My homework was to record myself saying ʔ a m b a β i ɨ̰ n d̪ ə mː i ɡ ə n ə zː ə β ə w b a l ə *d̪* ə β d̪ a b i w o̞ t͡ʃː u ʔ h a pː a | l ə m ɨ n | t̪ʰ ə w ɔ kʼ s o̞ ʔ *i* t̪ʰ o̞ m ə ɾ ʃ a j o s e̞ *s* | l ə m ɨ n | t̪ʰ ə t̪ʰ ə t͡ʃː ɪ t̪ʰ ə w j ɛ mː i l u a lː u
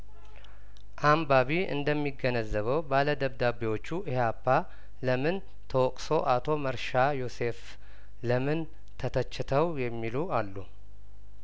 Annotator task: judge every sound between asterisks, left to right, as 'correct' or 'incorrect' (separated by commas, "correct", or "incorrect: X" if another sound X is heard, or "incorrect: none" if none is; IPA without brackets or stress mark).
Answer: correct, incorrect: a, incorrect: f